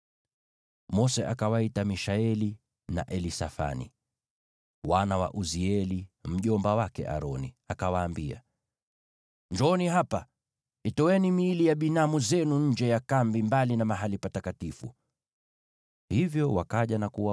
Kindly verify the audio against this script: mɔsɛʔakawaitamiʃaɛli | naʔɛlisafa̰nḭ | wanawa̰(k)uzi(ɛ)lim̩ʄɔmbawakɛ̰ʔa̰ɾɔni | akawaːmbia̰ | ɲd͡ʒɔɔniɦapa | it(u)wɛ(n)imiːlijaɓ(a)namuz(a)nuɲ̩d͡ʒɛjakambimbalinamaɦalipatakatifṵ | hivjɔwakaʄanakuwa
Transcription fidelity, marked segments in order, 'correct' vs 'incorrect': incorrect: ʔ, correct, incorrect: ɔ, correct, incorrect: i, incorrect: ɛ

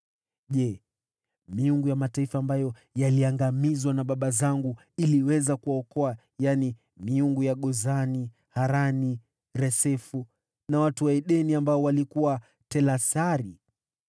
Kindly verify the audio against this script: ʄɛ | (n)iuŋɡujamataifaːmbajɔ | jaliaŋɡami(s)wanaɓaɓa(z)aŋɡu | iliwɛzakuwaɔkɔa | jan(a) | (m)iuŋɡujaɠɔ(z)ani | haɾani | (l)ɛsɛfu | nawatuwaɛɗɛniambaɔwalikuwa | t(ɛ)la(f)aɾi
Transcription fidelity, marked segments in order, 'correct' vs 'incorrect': incorrect: m, incorrect: z, correct, incorrect: i, correct, correct, incorrect: ɾ, correct, incorrect: s

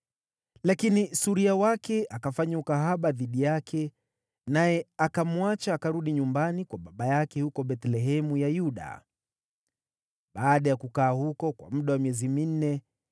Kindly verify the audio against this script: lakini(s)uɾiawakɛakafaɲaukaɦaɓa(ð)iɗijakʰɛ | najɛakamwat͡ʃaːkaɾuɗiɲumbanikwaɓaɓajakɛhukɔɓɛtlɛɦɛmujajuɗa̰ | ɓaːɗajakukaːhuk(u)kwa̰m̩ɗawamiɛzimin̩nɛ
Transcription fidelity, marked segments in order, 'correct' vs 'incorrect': correct, correct, incorrect: ɔ

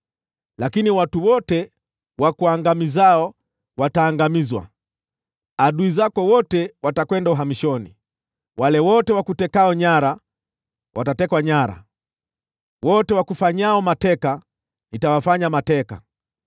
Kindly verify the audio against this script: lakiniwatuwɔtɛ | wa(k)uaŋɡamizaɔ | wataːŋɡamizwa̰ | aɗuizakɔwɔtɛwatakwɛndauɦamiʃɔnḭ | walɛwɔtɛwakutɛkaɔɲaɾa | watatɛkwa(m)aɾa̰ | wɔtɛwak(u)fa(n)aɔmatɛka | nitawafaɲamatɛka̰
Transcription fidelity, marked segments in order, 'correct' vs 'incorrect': correct, incorrect: ɲ, correct, incorrect: ɲ

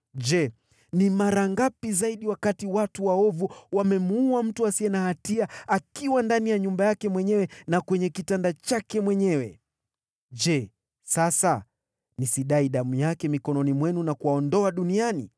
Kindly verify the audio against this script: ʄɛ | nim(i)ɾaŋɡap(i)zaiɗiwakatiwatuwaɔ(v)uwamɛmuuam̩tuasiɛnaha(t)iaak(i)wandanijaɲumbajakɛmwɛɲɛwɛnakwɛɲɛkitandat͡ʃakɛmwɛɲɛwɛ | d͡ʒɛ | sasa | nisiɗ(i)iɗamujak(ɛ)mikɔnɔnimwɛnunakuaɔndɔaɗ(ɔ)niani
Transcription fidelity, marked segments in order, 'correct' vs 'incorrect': incorrect: a, correct, correct, correct, correct, incorrect: a, correct, incorrect: u

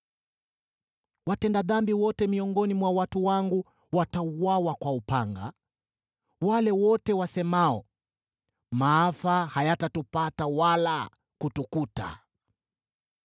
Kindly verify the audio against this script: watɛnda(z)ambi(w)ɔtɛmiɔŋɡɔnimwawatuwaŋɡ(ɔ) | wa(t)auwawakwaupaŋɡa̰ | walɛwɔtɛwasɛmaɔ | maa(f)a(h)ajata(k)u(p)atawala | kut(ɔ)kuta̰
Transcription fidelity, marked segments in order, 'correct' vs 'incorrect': incorrect: ð, correct, incorrect: u, correct, correct, correct, incorrect: t, correct, incorrect: u

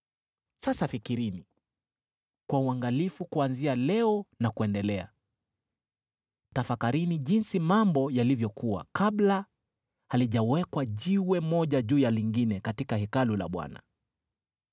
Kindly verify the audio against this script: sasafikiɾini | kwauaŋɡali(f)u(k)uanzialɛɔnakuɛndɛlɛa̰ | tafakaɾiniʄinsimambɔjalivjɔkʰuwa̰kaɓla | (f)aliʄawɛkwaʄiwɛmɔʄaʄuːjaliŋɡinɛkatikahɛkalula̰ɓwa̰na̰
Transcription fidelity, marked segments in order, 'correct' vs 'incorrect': correct, correct, incorrect: h

